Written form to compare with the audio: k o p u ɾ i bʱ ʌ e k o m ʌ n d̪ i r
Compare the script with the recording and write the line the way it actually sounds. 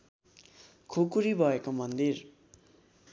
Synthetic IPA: kʰ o k u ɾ i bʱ ʌ e k o m ʌ n d̪ i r